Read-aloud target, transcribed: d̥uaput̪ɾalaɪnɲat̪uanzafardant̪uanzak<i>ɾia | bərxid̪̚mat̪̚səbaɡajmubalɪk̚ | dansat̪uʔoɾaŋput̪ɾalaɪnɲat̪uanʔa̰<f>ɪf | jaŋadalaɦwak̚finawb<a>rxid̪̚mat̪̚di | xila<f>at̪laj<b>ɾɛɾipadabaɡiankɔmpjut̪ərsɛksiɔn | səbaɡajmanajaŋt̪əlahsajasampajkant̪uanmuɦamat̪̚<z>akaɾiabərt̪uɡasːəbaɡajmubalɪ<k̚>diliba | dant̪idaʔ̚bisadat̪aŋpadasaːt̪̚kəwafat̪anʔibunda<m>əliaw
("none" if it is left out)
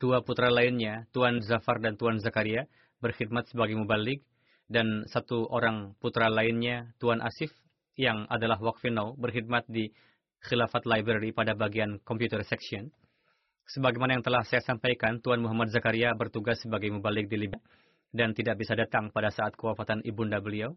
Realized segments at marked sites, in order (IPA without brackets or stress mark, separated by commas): a, s, ə, f, b, z, k̚, b